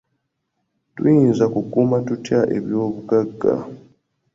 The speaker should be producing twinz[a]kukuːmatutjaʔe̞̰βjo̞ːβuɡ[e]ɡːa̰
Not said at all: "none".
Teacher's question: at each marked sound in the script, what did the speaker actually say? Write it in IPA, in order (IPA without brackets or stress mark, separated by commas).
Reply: a, a